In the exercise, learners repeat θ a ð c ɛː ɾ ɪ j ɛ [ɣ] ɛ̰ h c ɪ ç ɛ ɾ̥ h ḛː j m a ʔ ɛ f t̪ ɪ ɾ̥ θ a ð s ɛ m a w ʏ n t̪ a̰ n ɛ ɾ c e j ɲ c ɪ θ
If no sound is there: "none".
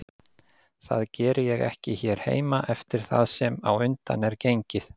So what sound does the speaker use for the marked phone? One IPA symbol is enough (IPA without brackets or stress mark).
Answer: ɣ